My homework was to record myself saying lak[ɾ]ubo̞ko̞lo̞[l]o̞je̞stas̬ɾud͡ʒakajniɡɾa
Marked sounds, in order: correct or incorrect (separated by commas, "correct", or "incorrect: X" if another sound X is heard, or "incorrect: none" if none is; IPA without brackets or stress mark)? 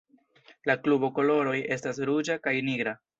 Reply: incorrect: l, incorrect: ɾ